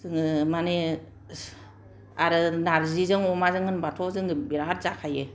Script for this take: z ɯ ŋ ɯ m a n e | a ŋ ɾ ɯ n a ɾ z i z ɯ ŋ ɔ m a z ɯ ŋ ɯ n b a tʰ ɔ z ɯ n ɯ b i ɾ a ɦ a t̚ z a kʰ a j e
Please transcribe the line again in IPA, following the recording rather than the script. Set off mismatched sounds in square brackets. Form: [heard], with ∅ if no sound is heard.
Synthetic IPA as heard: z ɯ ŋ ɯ m a n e | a [∅] ɾ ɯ n a ɾ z i z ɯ ŋ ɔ m a z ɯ ŋ ɯ n b a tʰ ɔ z ɯ [ŋ] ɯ b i ɾ a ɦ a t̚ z a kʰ a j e